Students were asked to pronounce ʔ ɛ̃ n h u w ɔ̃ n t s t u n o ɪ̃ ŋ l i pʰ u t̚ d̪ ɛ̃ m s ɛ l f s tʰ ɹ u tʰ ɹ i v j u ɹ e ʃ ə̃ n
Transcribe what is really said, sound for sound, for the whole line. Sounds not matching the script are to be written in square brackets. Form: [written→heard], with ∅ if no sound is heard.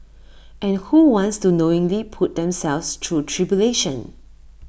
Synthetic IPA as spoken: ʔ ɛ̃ n h u w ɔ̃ n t s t u n o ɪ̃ ŋ l i pʰ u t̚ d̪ ɛ̃ m s ɛ l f s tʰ ɹ u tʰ ɹ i [v→b] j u [ɹ→l] e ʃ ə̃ n